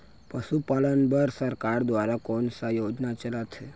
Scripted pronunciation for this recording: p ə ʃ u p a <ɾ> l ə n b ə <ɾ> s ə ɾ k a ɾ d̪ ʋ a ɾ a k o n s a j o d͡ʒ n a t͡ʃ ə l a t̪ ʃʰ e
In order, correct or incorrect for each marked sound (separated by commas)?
incorrect, correct